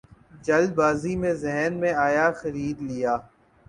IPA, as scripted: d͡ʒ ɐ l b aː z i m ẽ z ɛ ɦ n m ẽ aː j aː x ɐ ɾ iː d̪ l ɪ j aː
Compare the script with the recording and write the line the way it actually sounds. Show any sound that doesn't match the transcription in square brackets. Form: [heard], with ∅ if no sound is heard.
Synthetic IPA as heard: d͡ʒ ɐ l b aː z i m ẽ z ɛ ɦ n m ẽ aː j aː x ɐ ɾ iː d̪ l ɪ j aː